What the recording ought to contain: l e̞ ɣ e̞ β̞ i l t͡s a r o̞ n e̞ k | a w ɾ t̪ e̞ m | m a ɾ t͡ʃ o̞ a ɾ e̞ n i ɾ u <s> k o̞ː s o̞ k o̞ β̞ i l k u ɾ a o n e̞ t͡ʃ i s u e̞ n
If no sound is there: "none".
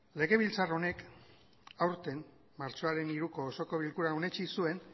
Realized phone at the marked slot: none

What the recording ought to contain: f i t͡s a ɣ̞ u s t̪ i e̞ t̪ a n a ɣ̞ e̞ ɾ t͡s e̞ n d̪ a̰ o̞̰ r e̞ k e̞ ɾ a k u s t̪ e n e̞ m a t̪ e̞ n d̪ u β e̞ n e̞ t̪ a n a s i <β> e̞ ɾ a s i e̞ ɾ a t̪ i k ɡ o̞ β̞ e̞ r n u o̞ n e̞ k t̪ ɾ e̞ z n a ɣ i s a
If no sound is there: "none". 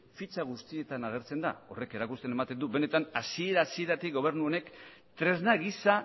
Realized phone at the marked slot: none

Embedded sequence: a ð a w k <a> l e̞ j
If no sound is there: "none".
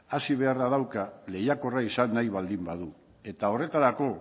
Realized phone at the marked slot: a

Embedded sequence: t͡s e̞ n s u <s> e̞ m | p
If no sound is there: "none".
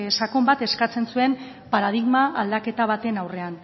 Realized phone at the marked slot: none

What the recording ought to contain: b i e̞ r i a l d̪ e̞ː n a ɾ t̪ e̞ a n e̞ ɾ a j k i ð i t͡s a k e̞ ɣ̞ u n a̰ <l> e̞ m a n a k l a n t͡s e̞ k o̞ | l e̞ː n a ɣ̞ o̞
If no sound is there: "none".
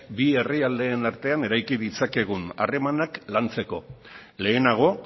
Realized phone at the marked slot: r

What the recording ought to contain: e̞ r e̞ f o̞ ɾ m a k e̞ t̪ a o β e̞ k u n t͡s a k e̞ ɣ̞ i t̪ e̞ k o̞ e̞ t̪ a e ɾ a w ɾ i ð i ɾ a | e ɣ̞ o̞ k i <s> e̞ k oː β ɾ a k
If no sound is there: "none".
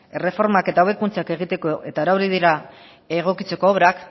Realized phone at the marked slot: t͡s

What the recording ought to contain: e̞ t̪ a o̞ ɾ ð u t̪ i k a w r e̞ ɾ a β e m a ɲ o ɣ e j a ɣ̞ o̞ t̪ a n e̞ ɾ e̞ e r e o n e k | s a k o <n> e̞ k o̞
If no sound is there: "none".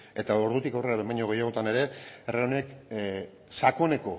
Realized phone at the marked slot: n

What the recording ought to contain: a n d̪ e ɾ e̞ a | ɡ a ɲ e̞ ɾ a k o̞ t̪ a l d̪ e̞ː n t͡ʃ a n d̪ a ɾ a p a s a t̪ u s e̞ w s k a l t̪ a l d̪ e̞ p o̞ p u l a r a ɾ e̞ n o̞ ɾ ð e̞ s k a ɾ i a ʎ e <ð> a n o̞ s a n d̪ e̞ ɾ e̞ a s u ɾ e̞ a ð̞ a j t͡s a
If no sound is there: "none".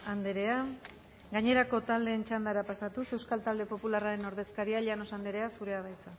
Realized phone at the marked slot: none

